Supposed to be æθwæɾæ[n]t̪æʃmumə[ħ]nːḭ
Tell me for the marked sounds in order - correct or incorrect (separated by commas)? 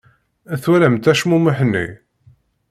incorrect, correct